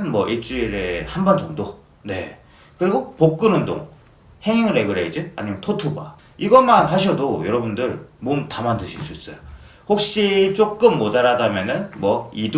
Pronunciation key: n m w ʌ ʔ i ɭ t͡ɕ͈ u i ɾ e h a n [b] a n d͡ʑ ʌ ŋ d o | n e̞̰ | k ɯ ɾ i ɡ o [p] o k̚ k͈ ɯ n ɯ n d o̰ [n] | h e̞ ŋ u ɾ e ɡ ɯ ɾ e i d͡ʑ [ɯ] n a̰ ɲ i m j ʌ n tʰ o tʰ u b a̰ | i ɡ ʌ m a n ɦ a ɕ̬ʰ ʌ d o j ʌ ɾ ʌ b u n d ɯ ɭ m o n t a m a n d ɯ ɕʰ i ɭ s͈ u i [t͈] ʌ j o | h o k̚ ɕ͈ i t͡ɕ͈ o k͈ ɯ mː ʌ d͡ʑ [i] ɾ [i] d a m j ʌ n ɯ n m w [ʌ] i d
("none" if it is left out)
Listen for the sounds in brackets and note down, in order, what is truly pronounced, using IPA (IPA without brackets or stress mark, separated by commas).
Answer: b, p, ŋ, ɯ, s͈, a, a, ʌ